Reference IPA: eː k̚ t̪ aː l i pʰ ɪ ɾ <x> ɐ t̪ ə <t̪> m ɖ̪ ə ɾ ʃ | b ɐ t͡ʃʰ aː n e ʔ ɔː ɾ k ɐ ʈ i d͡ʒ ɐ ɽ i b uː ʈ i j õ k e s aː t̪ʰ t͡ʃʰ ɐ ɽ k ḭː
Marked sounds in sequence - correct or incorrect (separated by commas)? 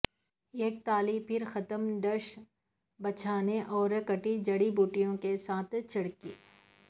correct, incorrect